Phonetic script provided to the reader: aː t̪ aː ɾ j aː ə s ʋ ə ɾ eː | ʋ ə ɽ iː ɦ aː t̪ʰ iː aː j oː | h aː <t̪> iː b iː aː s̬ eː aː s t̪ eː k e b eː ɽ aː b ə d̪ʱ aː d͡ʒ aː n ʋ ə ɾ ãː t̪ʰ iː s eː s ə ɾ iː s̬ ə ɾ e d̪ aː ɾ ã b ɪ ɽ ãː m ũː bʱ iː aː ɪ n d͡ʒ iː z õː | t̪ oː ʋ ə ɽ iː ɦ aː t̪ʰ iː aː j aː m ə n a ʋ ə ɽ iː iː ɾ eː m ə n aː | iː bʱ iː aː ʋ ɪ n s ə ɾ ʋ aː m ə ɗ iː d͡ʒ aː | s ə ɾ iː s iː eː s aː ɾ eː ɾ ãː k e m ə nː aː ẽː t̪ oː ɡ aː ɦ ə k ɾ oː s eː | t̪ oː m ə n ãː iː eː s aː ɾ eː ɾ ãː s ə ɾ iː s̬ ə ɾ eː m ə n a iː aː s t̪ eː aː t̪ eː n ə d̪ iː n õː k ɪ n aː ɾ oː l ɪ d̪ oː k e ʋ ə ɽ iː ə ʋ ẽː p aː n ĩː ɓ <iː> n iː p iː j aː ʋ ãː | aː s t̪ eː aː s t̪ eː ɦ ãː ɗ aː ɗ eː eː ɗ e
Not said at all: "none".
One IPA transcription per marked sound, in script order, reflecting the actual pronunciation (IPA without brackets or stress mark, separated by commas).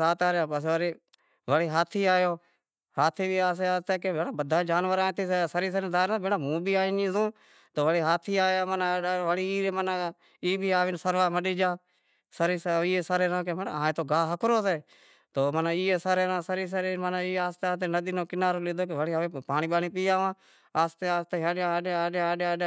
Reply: t̪ʰ, aː